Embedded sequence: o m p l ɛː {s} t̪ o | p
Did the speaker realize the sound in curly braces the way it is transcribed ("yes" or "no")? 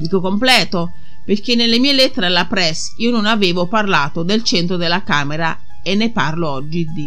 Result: no